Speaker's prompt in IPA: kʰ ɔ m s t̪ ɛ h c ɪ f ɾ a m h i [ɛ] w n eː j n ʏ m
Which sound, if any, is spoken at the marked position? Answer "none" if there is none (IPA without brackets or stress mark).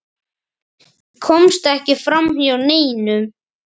a